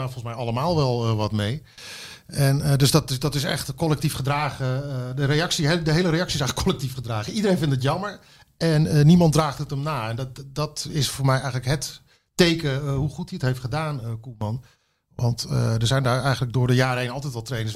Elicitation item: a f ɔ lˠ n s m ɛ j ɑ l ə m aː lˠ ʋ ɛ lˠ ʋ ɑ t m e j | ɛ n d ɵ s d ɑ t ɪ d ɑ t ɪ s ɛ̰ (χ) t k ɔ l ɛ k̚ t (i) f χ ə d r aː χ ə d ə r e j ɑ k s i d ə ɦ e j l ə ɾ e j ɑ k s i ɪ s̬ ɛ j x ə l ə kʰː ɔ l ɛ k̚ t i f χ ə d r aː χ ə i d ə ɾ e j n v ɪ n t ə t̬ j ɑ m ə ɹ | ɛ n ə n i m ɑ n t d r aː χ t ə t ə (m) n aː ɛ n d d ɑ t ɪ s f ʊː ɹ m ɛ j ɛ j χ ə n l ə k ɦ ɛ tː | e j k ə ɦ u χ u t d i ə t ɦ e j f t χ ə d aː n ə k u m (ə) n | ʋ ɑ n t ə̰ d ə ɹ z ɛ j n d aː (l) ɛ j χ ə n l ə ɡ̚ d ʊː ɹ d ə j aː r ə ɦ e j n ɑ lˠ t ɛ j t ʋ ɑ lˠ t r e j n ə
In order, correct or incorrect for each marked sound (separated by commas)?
correct, correct, correct, incorrect, incorrect